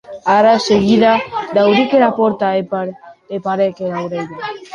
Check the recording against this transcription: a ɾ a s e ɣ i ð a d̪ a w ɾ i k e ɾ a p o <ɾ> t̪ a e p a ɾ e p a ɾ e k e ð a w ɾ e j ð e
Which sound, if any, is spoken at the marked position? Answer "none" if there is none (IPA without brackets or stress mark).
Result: ɾ